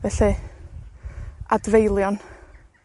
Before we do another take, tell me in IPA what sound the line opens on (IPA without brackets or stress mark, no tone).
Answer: v